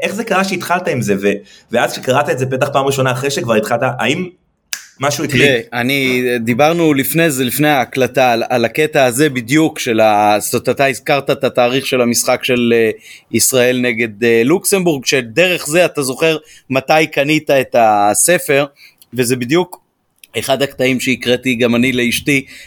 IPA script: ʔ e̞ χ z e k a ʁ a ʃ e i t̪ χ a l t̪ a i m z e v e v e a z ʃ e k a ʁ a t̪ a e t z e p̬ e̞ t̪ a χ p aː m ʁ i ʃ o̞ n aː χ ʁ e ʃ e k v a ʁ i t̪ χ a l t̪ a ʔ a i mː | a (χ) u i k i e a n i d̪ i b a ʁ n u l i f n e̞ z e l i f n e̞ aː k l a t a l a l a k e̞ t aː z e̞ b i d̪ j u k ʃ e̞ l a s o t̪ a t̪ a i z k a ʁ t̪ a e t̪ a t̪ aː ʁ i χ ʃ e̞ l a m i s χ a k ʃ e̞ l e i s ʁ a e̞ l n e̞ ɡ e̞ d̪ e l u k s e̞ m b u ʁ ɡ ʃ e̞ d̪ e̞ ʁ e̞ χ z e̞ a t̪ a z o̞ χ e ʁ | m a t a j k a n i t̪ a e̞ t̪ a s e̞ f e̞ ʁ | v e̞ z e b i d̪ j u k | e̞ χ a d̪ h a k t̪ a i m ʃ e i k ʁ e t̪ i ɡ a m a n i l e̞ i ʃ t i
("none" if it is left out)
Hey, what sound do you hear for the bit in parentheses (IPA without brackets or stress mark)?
ʃ